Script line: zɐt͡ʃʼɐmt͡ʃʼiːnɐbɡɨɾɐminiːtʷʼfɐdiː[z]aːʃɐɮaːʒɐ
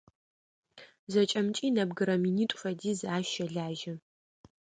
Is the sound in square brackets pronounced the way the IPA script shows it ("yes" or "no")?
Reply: yes